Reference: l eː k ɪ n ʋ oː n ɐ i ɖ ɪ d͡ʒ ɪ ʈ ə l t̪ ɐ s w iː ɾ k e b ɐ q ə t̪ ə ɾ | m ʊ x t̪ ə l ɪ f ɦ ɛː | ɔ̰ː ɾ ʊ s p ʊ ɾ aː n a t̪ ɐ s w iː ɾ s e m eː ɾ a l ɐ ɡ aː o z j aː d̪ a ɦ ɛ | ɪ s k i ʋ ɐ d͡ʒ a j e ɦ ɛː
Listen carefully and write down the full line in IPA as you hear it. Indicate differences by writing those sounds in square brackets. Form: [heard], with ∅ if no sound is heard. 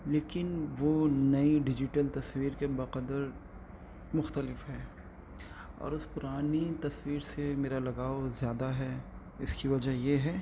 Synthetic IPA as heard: l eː k ɪ n ʋ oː n ɐ i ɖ ɪ d͡ʒ ɪ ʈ ə l t̪ ɐ s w iː ɾ k e b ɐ q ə [d̪] ə ɾ | m ʊ x t̪ ə l ɪ f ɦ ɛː | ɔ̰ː ɾ ʊ s p ʊ ɾ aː n [i] t̪ ɐ s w iː ɾ s e m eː ɾ a l ɐ ɡ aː o z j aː d̪ a ɦ ɛ | ɪ s k i ʋ ɐ d͡ʒ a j e ɦ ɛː

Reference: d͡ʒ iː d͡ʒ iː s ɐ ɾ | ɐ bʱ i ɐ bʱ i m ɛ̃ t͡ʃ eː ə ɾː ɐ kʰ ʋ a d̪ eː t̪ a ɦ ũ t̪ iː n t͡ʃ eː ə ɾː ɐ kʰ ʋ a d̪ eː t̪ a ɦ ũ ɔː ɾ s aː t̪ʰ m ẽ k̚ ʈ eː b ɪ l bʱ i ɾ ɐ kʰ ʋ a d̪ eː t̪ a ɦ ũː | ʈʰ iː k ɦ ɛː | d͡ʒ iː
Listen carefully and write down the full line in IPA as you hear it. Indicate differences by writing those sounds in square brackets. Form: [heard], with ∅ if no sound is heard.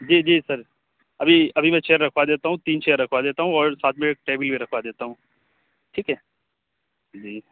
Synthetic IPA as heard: d͡ʒ iː d͡ʒ iː s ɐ ɾ | ɐ bʱ i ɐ bʱ i m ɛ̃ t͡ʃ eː ə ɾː ɐ kʰ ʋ a d̪ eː t̪ a ɦ ũ t̪ iː n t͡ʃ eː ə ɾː ɐ kʰ ʋ a d̪ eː t̪ a ɦ ũ ɔː ɾ s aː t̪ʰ m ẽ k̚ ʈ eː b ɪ l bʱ i ɾ ɐ kʰ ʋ a d̪ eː t̪ a ɦ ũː | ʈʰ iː k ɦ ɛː | d͡ʒ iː

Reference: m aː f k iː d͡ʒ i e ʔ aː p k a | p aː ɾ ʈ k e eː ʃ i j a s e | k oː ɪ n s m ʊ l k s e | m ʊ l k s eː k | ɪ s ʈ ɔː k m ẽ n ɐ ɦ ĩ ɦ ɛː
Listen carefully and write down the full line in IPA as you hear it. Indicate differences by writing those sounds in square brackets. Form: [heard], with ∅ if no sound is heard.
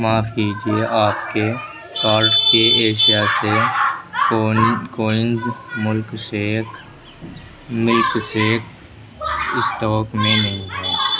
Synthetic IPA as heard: m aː f k iː d͡ʒ i e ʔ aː p k [e] | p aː ɾ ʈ k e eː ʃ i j a s e | k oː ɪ n [z] m ʊ l k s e | m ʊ l k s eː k | ɪ s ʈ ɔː k m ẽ n ɐ ɦ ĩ ɦ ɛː

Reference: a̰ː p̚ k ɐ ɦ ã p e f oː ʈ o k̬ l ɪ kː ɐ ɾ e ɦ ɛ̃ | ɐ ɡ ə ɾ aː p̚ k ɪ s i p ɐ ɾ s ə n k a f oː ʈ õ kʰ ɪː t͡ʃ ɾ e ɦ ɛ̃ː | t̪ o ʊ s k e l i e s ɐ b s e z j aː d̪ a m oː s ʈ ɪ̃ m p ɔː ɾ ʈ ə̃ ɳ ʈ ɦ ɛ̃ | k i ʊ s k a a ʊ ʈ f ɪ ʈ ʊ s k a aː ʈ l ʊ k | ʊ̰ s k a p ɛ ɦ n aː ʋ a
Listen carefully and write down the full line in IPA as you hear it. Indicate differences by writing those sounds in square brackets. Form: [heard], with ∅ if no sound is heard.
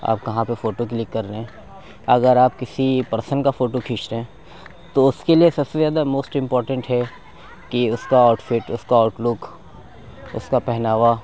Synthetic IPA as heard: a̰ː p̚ k ɐ ɦ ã p e f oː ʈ o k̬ l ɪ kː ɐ ɾ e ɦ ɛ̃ | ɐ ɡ ə ɾ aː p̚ k ɪ s i p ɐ ɾ s ə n k a f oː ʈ [o] kʰ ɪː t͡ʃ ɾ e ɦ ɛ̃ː | t̪ o ʊ s k e l i e s ɐ b s e z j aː d̪ a m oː s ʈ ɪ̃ m p ɔː ɾ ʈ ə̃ ɳ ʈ ɦ [ɛ] | k i ʊ s k a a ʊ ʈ f ɪ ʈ ʊ s k a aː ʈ l ʊ k | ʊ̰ s k a p ɛ ɦ n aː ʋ a

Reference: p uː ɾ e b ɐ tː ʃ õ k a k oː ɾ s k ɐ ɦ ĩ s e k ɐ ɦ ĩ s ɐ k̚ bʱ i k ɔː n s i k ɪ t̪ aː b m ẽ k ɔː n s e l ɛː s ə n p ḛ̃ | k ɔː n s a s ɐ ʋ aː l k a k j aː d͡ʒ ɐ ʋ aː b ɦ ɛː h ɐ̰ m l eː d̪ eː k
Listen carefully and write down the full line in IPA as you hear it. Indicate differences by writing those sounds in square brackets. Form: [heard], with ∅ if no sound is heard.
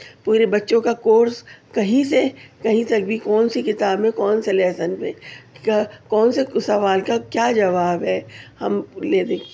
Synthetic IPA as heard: p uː ɾ e b ɐ tː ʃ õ k a k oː ɾ s k ɐ ɦ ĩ s e k ɐ ɦ ĩ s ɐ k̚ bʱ i k ɔː n s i k ɪ t̪ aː b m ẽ k ɔː n s e l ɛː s ə n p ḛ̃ | k ɔː n s [e] s ɐ ʋ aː l k a k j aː d͡ʒ ɐ ʋ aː b ɦ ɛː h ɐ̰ m l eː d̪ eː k

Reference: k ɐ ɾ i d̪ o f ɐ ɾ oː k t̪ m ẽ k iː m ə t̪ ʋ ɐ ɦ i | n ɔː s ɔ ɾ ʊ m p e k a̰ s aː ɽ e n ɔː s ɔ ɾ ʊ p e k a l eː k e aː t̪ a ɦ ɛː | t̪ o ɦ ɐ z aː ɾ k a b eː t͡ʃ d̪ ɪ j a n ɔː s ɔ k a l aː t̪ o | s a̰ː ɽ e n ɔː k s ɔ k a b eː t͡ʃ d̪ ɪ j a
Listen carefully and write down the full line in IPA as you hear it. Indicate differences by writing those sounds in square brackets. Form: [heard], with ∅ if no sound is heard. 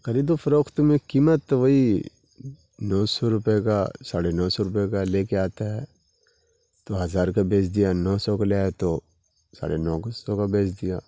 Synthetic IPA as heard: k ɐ ɾ i d̪ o f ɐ ɾ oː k t̪ m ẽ k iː m ə t̪ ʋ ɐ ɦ i | n ɔː s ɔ ɾ ʊ [∅] p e k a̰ s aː ɽ e n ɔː s ɔ ɾ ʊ p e k a l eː k e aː t̪ a ɦ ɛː | t̪ o ɦ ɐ z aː ɾ k a b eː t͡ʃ d̪ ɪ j a n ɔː s ɔ k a l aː t̪ o | s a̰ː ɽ e n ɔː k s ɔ k a b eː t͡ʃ d̪ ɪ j a

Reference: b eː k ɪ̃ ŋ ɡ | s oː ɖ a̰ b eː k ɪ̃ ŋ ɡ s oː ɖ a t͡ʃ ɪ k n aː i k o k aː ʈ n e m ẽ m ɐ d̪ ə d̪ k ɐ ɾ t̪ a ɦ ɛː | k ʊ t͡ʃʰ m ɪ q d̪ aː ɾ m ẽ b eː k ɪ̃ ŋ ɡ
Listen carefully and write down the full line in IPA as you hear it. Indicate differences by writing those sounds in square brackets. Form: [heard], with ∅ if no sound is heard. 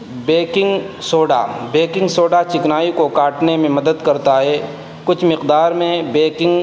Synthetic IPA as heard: b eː k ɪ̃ ŋ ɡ | s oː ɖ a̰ b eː k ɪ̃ ŋ ɡ s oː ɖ a t͡ʃ ɪ k n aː i k o k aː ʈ n e m ẽ m ɐ d̪ ə d̪ k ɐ ɾ t̪ a ɦ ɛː | k ʊ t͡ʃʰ m ɪ q d̪ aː ɾ m ẽ b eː k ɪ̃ ŋ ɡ

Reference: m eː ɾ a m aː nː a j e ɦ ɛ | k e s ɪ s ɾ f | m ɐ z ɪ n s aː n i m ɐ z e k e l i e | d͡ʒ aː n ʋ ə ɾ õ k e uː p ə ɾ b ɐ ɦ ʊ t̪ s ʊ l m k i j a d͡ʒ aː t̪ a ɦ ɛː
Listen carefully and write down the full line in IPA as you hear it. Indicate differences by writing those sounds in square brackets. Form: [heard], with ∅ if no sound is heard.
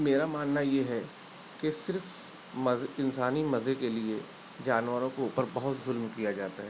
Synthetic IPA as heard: m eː ɾ a m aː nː a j e ɦ ɛ | k e s ɪ [∅] ɾ f | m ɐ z ɪ n s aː n i m ɐ z e k e l i e | d͡ʒ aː n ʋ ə ɾ õ k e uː p ə ɾ b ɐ ɦ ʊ t̪ [z] ʊ l m k i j a d͡ʒ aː t̪ a ɦ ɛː

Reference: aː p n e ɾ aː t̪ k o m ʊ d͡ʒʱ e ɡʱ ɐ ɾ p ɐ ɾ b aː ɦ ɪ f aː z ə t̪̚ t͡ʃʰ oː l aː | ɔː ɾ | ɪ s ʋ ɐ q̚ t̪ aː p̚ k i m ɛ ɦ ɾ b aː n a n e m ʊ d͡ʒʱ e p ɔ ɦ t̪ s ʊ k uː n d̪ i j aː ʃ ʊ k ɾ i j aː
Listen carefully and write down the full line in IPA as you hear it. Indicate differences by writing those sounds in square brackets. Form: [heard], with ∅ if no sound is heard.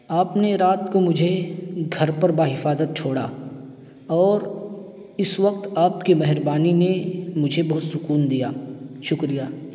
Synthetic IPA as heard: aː p n e ɾ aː t̪ k o m ʊ d͡ʒʱ e ɡʱ ɐ ɾ p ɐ ɾ b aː ɦ ɪ f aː z ə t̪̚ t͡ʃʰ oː [ɽ] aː | ɔː ɾ | ɪ s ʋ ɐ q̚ t̪ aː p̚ k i m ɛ ɦ ɾ b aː n [i] n e m ʊ d͡ʒʱ e [b] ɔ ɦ t̪ s ʊ k uː n d̪ i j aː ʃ ʊ k ɾ i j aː

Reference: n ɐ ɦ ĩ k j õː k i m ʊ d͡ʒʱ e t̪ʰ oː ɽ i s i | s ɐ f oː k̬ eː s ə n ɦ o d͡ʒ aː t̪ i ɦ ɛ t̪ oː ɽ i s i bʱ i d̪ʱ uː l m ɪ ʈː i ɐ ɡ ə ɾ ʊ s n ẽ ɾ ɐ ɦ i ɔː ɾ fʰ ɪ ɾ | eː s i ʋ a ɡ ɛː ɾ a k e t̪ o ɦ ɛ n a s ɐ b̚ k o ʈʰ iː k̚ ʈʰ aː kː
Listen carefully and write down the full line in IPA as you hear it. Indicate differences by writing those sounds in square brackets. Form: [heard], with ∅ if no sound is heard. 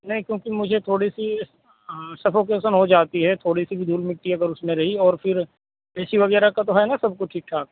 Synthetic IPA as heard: n ɐ ɦ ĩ k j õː k i m ʊ d͡ʒʱ e t̪ʰ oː ɽ i s i | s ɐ f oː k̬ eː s ə n ɦ o d͡ʒ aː t̪ i ɦ ɛ [t̪ʰ] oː ɽ i s i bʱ i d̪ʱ uː l m ɪ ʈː i ɐ ɡ ə ɾ ʊ s [m] ẽ ɾ ɐ ɦ i ɔː ɾ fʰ ɪ ɾ | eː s i ʋ [ɐ] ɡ ɛː ɾ a k [a] t̪ o ɦ ɛ n a s ɐ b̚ k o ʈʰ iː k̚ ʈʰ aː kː

